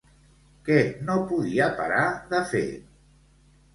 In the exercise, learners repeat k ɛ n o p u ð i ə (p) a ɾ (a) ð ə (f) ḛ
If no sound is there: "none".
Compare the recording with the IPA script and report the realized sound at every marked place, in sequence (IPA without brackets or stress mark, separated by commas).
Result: p, a, f